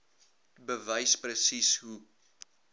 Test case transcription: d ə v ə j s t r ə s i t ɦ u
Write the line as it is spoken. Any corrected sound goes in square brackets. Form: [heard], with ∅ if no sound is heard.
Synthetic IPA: [b] ə v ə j s [p] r ə s i [s] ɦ u